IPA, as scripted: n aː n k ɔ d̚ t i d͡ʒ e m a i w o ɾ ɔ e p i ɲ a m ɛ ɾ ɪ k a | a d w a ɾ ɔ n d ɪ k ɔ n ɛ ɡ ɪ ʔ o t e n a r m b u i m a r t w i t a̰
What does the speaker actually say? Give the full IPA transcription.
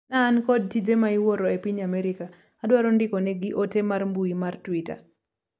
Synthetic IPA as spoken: n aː n k ɔ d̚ t i d͡ʒ e m a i w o ɾ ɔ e p i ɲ a m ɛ ɾ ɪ k a | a d w a ɾ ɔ n d ɪ k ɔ n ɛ ɡ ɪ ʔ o t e m a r m b u i m a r t w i t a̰